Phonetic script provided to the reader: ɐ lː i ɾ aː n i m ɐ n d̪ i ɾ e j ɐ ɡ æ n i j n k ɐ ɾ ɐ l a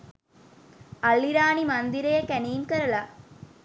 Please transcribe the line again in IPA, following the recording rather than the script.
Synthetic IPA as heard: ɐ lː i ɾ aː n i m ɐ n d̪ i ɾ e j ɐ k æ n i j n k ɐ ɾ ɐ l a